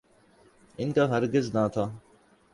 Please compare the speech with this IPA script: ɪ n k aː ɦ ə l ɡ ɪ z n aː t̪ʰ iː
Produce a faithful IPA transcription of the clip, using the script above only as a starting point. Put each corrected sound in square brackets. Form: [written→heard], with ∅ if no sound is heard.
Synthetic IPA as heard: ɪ n k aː ɦ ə [l→ɾ] ɡ ɪ z n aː t̪ʰ [iː→aː]